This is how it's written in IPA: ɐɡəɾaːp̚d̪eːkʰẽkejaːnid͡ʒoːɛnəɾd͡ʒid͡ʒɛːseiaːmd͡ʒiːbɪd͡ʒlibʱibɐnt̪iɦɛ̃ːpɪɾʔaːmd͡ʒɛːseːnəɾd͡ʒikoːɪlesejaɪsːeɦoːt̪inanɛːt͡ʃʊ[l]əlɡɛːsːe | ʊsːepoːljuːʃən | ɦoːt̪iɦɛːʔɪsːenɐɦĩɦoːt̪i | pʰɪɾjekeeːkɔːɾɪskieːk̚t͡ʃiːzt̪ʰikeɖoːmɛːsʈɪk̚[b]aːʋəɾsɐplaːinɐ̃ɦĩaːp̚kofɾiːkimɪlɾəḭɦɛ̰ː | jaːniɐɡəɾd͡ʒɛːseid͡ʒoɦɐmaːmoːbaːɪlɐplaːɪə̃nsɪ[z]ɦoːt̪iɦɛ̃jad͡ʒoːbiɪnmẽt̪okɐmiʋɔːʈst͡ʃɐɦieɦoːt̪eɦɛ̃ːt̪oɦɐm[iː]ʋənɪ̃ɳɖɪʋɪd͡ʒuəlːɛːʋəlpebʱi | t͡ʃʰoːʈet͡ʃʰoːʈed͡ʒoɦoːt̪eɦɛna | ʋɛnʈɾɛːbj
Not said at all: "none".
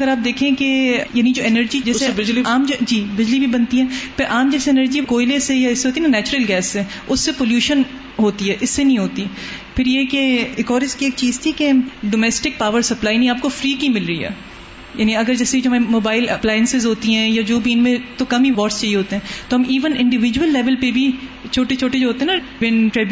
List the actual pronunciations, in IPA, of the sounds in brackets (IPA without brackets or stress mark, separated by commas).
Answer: ɾ, p, z, iː